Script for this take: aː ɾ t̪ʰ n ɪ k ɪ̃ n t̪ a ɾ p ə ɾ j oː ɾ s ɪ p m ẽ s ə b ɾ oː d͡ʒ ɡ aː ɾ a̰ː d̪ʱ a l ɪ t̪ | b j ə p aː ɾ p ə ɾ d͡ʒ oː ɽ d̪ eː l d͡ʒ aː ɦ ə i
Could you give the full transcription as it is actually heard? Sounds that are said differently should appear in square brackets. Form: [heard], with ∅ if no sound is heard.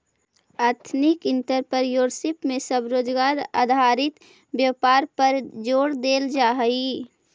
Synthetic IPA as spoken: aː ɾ t̪ʰ n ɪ k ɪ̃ n t̪ [ə] ɾ p ə ɾ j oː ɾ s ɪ p m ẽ s ə b ɾ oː d͡ʒ ɡ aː ɾ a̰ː d̪ʱ a [ɾ] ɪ t̪ | b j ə p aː ɾ p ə ɾ d͡ʒ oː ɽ d̪ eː l d͡ʒ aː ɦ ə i